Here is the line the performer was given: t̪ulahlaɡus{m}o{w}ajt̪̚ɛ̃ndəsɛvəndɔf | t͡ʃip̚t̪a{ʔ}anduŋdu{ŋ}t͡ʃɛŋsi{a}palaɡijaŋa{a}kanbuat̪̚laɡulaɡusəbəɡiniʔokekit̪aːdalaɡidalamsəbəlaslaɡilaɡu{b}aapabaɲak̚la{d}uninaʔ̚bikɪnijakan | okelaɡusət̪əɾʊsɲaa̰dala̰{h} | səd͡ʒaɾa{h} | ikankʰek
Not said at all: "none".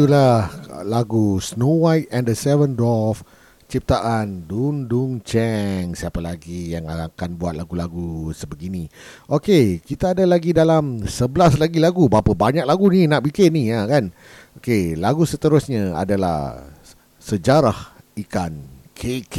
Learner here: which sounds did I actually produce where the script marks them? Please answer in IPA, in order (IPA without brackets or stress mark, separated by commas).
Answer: n, w, ʔ, ŋ, a, a, b, ɡ, h, h